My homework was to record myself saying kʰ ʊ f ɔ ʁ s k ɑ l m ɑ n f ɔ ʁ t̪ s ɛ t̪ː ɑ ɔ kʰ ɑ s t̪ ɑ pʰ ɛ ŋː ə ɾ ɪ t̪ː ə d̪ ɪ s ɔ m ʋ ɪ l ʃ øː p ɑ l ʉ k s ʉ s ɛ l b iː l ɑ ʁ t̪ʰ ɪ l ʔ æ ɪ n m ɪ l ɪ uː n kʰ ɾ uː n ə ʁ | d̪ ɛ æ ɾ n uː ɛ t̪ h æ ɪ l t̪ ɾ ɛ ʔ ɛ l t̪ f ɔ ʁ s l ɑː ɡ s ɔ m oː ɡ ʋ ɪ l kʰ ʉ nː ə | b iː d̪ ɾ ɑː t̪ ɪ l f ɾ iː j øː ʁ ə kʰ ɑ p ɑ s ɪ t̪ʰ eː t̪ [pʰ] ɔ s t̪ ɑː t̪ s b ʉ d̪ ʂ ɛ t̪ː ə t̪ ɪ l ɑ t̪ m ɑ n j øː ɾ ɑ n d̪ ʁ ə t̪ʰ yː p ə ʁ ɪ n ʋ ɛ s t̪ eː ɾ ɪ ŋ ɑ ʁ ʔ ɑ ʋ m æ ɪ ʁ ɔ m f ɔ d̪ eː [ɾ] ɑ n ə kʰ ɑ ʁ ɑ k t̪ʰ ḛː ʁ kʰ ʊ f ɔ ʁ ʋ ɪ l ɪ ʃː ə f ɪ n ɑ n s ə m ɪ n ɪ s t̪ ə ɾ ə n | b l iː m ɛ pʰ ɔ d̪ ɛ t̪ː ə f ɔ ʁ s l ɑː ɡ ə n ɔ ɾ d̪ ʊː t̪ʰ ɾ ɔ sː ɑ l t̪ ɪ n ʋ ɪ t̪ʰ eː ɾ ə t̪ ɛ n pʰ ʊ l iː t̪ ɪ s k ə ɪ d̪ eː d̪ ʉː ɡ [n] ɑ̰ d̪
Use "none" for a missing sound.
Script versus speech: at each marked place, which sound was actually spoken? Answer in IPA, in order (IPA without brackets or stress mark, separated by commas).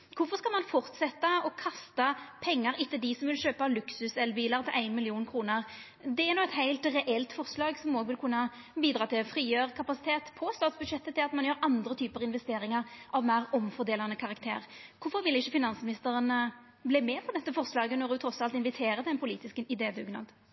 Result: pʰ, l, n